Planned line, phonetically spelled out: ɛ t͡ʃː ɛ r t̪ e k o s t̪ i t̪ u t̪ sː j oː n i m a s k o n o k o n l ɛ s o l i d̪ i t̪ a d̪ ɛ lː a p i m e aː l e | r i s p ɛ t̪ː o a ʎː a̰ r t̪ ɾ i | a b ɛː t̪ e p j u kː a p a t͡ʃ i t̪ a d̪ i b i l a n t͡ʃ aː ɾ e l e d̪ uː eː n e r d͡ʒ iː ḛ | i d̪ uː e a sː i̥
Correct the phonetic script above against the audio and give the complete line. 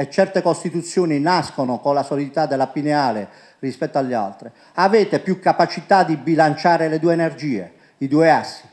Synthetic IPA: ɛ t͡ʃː ɛ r t̪ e k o s t̪ i t̪ u t̪ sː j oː n i n a s k o n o k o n l a s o l i d̪ i t̪ a d̪ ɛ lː a p i n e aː l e | r i s p ɛ t̪ː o a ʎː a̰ l t̪ ɾ i | a v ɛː t̪ e p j u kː a p a t͡ʃ i t̪ a d̪ i b i l a n t͡ʃ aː ɾ e l e d̪ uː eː n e r d͡ʒ iː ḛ | i d̪ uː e a sː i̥